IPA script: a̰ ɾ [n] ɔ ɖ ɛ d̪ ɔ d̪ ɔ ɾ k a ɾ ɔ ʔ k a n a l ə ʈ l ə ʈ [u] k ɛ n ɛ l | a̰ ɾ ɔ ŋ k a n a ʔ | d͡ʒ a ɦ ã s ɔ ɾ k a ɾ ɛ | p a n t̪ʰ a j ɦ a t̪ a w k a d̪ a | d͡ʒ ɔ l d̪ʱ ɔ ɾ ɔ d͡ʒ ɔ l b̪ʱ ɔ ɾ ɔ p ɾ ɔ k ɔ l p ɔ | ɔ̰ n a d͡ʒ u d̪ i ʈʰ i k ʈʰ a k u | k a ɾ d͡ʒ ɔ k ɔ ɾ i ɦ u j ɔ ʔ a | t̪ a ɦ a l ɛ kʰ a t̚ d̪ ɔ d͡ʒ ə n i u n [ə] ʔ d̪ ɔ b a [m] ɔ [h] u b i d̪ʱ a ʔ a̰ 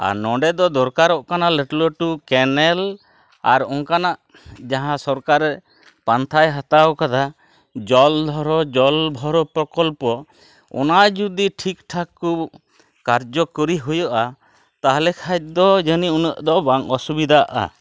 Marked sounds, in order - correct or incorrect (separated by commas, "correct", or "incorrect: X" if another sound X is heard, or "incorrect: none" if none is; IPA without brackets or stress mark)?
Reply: correct, correct, correct, incorrect: ŋ, incorrect: s